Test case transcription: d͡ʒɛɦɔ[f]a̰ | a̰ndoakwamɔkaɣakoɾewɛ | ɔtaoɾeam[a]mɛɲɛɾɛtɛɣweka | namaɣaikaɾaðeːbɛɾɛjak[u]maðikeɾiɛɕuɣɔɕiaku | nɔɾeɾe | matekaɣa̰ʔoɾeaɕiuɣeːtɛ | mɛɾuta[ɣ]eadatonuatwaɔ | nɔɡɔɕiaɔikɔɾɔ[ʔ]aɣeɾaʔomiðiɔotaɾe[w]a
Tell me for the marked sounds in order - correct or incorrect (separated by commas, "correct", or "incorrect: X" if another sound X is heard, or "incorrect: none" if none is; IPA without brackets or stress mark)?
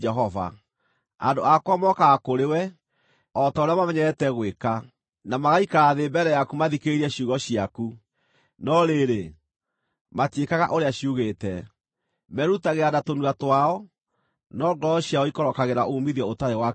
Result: incorrect: v, correct, correct, correct, incorrect: k, correct